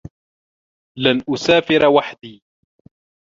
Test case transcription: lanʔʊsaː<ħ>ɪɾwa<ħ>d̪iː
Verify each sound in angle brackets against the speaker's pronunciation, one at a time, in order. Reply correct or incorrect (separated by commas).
incorrect, correct